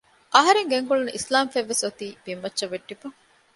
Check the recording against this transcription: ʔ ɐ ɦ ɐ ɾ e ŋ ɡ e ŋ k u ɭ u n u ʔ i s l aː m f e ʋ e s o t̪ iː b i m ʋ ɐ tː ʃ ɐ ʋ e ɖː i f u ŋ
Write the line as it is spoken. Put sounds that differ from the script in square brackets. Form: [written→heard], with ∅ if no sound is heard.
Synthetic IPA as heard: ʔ ɐ ɦ ɐ ɾ e ŋ ɡ e ŋ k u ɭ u n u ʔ i s l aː m f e [ʋ→ʋː] e s o t̪ iː b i m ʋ ɐ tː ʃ ɐ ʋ e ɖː i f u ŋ